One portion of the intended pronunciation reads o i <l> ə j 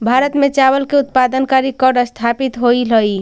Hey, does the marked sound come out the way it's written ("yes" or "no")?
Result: yes